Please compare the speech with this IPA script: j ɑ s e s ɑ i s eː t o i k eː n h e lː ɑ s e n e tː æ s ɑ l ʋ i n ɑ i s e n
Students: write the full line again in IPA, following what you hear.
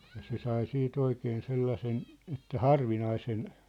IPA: j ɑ s e s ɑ i s iː t o i k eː n s e lː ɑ s e n e tː æ h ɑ r ʋ i n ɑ i s e n